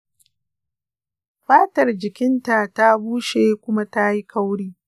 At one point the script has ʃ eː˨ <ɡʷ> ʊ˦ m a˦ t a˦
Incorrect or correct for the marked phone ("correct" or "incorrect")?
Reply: incorrect